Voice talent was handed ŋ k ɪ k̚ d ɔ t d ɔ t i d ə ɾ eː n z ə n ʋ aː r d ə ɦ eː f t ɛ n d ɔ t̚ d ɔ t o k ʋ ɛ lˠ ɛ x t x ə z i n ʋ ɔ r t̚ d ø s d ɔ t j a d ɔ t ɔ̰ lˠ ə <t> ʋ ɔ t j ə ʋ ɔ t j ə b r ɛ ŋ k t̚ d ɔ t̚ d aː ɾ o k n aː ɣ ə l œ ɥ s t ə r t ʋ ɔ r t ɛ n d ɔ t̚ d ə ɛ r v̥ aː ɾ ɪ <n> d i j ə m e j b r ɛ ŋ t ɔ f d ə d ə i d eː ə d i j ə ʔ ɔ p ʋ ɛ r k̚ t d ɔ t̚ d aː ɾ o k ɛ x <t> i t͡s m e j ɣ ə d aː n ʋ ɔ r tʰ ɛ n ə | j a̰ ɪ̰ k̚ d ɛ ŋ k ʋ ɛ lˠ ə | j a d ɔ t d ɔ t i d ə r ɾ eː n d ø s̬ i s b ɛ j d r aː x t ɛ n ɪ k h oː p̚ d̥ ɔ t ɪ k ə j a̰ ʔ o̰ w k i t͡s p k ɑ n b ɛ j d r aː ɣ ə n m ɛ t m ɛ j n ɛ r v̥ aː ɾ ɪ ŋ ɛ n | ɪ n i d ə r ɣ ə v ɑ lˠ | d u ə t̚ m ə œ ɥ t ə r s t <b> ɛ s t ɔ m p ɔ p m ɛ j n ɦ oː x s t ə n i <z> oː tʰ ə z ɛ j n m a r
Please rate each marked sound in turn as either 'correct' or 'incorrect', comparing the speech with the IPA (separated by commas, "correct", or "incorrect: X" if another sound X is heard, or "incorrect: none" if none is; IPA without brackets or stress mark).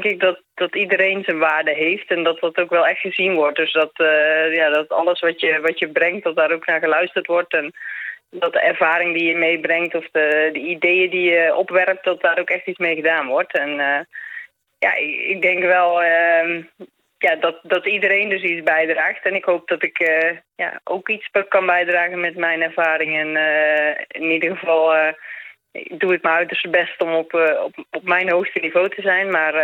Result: incorrect: s, incorrect: ŋ, correct, correct, incorrect: v